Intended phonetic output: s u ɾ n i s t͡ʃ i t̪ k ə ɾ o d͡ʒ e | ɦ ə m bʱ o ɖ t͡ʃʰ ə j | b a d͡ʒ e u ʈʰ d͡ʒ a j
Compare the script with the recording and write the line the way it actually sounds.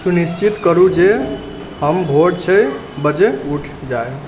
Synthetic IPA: s u n i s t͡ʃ i t̪ k ə ɾ u d͡ʒ e | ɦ ə m bʱ o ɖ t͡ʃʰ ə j | b ə d͡ʒ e u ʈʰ d͡ʒ a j